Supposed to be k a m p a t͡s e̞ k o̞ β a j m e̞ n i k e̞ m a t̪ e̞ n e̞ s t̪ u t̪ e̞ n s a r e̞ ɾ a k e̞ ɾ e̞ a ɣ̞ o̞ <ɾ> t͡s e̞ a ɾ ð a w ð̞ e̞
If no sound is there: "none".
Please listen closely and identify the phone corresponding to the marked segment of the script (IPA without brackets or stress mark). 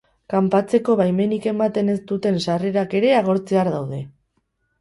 ɾ